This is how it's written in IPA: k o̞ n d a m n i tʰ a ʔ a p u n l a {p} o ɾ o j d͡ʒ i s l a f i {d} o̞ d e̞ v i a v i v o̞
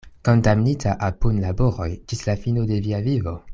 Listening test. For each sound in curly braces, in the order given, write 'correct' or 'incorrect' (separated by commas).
incorrect, incorrect